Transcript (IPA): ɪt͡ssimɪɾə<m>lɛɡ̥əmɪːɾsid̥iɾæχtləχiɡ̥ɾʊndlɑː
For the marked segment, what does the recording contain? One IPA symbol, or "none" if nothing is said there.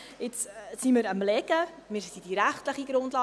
m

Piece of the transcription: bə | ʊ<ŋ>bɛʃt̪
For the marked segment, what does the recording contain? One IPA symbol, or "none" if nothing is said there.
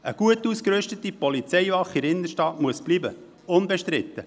n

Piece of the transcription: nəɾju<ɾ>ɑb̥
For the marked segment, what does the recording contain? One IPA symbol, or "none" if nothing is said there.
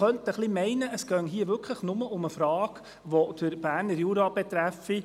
ɾ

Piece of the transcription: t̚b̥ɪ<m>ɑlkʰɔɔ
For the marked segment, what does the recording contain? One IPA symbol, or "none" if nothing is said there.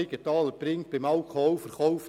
m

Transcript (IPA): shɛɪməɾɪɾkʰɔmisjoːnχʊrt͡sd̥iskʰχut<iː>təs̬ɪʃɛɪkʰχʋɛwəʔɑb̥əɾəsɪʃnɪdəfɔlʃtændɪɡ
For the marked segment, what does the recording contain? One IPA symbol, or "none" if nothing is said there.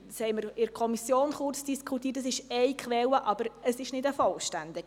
iː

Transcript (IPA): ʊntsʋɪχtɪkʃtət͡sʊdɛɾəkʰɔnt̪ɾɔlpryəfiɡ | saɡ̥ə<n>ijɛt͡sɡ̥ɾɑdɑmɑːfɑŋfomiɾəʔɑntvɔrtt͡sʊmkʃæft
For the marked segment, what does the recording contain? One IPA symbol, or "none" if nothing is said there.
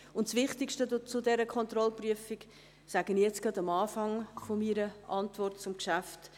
n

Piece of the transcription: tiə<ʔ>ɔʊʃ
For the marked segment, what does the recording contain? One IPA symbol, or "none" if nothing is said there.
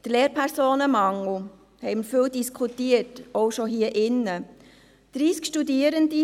t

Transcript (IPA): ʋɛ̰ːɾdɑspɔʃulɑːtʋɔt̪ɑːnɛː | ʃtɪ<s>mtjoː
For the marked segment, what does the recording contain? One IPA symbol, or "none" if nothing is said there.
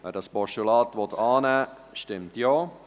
none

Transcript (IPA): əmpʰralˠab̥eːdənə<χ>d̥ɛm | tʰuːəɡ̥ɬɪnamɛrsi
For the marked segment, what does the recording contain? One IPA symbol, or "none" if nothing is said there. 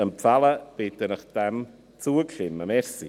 χ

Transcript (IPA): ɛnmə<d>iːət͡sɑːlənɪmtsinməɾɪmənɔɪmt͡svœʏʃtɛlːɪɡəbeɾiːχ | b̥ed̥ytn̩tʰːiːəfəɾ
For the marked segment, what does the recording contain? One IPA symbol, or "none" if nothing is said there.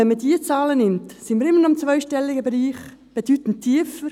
d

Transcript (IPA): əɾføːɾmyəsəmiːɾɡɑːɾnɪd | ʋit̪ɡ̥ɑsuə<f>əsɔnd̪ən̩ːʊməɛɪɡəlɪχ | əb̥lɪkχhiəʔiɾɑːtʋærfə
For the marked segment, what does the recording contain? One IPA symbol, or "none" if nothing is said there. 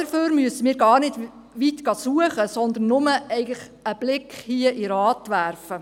χ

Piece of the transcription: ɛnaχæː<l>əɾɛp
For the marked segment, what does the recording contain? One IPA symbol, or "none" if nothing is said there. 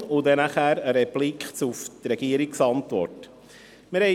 ɾ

